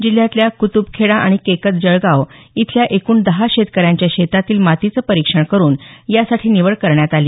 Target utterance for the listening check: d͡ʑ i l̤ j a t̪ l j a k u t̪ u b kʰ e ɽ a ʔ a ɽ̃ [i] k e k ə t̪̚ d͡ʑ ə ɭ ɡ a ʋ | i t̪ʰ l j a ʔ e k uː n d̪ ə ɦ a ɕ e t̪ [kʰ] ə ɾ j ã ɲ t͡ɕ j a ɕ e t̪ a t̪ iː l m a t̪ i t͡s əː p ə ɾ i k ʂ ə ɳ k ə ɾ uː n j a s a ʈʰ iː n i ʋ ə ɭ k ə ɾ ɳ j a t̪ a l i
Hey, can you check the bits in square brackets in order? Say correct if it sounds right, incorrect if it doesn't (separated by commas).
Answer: correct, incorrect